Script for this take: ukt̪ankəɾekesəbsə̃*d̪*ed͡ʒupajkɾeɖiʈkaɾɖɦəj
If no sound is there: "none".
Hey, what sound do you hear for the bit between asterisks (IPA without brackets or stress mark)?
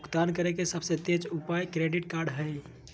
t̪